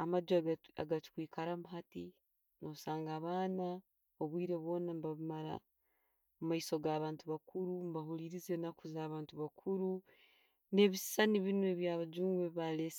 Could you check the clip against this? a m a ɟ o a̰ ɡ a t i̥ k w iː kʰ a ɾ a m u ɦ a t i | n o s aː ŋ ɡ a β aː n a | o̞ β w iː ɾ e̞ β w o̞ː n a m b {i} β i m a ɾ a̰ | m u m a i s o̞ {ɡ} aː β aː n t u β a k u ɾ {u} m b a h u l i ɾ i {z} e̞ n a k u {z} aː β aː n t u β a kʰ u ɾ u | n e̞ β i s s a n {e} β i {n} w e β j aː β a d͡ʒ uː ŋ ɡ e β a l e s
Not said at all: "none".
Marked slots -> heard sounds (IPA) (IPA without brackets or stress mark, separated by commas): a, ɡ, u, z, z, i, n